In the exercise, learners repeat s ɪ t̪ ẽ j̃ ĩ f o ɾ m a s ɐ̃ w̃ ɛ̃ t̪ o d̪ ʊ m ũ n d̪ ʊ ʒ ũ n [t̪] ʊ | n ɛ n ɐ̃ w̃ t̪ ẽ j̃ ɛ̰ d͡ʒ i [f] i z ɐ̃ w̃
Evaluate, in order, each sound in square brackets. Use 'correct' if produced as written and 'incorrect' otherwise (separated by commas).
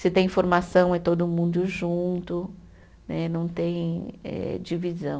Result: correct, incorrect